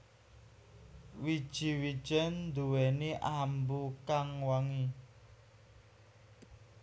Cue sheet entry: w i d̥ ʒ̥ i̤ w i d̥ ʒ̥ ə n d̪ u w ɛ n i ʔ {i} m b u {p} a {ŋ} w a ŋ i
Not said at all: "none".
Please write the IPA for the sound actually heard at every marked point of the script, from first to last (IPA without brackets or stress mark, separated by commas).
a, k, ŋ